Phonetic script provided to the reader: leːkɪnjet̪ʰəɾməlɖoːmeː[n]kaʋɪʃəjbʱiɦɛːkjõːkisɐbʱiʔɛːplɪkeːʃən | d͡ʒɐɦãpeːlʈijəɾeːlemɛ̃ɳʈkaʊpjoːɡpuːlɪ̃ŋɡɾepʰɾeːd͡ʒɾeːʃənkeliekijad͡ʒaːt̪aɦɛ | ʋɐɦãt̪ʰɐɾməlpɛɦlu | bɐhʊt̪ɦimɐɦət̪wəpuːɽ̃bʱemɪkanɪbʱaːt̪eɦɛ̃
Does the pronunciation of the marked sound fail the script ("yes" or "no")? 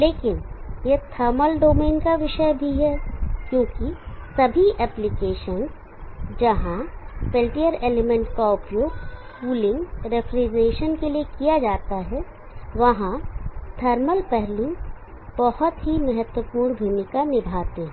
no